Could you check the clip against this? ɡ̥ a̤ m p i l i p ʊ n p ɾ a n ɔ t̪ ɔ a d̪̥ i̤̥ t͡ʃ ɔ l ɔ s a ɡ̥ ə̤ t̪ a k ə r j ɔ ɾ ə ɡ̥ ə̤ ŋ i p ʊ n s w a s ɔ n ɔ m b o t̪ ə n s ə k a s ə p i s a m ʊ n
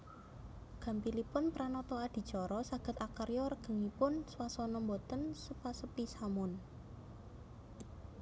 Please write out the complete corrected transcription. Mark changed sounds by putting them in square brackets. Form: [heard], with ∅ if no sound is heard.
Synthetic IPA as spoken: ɡ̥ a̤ m p i l i p ʊ n p ɾ a n ɔ t̪ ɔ a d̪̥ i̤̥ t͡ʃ ɔ [ɾ] ɔ s a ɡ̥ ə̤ t̪ a k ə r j ɔ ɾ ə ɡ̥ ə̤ ŋ i p ʊ n s w a s ɔ n ɔ m b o t̪ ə n s ə [p] a s ə p i s a m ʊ n

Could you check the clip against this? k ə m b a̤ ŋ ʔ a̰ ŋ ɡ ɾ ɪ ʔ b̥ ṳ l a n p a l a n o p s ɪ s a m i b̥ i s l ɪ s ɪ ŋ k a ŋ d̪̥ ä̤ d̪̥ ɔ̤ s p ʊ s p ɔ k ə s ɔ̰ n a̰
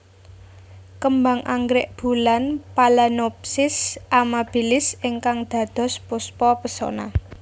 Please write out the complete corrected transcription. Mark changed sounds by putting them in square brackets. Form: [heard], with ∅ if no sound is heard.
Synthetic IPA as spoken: k ə m b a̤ ŋ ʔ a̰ ŋ ɡ ɾ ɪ ʔ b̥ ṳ l a n p a l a n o p s ɪ s a m [a] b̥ i [∅] l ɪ s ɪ ŋ k a ŋ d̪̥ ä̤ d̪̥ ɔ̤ s p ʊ s p ɔ [p] ə s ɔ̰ n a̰

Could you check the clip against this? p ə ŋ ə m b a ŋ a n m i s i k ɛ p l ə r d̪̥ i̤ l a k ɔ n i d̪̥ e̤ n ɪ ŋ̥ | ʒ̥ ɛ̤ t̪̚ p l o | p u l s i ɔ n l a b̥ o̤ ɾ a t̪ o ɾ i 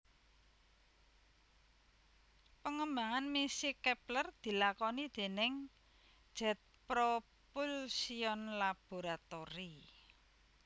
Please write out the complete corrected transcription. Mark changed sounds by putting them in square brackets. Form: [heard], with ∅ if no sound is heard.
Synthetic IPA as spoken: p ə ŋ ə m b a ŋ a n m i s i k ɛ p l ə r d̪̥ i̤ l a k ɔ n i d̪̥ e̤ n ɪ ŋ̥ | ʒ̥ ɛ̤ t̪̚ p [ɾ] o | p u l s i ɔ n l a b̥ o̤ ɾ a t̪ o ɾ i

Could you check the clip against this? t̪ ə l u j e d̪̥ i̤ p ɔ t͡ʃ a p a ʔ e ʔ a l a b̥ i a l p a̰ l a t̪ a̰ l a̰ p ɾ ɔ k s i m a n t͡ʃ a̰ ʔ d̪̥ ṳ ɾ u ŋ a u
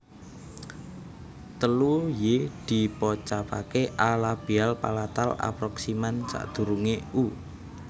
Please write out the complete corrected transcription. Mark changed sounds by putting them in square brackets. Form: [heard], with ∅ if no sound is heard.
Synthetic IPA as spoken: t̪ ə l u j e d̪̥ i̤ p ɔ t͡ʃ a p a [k] e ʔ a l a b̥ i a l p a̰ l a t̪ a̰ l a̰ p ɾ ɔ k s i m a n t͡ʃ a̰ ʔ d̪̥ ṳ ɾ u ŋ [e] u

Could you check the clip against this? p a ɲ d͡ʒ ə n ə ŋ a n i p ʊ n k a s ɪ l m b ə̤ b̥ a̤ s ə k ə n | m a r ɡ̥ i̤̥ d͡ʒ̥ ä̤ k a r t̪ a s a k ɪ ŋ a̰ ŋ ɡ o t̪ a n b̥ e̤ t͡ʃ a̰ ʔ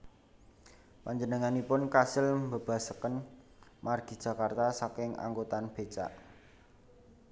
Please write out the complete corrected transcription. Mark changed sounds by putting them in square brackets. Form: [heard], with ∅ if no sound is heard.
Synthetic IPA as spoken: p a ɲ d͡ʒ ə n ə ŋ a n i p ʊ n k a s ɪ l m b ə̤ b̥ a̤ s ə k ə n | m a r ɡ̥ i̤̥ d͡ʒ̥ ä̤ k a r t̪ a s a k ɪ ŋ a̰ ŋ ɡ o t̪ a n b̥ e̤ t͡ʃ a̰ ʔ

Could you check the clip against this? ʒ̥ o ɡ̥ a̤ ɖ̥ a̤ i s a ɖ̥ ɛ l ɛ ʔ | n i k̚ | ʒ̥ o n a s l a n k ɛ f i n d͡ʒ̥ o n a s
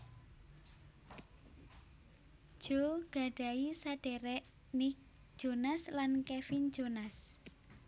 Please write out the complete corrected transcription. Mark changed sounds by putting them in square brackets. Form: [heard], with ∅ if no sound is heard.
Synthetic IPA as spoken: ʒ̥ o ɡ̥ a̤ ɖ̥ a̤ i s a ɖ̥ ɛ [ɾ] ɛ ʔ | n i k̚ | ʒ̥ o n a s l a n k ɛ f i n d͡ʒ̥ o n a s

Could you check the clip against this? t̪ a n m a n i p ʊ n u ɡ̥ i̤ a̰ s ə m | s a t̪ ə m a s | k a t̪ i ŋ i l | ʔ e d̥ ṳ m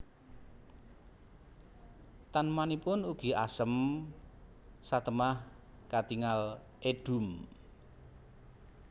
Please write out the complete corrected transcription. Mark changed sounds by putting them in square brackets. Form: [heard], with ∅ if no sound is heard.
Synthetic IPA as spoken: t̪ a n m a n i p ʊ n u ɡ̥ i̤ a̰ s ə m | s a t̪ ə m a [h] | k a t̪ i ŋ [a] l | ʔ e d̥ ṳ m

